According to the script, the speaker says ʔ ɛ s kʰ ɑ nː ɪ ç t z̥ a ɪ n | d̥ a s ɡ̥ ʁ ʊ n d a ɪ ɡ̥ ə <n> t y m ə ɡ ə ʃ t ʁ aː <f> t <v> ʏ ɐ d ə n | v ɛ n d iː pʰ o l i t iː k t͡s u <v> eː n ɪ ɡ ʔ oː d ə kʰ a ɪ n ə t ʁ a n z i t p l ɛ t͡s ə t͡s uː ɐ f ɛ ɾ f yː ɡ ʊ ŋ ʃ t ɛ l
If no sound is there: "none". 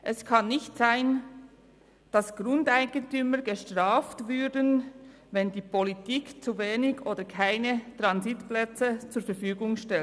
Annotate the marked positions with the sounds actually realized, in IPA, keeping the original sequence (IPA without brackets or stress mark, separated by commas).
n, f, v, v